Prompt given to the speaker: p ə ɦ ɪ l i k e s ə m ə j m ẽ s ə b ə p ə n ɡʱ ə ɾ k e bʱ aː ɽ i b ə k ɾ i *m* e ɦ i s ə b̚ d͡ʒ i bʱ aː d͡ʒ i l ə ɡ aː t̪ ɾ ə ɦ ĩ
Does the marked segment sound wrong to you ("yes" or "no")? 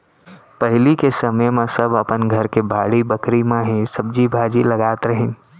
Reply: no